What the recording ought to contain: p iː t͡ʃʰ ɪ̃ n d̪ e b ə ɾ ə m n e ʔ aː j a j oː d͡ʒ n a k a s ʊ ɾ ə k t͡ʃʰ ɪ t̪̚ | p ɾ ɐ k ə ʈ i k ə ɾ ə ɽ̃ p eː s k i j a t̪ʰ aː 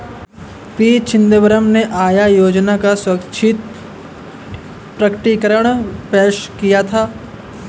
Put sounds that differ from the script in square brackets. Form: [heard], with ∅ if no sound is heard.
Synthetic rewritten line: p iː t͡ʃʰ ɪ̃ n d̪ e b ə ɾ ə m n e ʔ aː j a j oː d͡ʒ n a k a s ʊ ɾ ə k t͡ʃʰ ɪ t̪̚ | p ɾ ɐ k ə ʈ i k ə ɾ ə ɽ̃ p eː [ʃ] k i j a t̪ʰ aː